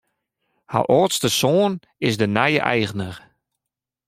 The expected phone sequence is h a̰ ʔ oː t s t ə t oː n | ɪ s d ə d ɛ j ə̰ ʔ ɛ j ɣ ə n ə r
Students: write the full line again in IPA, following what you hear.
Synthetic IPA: h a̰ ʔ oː t s t ə s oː n | ɪ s d ə n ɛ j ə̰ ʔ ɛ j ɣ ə n ə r